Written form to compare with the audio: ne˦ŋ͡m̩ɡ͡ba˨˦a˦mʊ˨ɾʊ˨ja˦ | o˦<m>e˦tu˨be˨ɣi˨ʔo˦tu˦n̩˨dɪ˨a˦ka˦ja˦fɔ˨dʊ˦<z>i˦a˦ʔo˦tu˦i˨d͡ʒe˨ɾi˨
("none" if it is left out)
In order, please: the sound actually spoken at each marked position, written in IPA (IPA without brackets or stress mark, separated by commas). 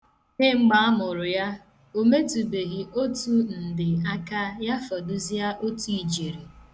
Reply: m, z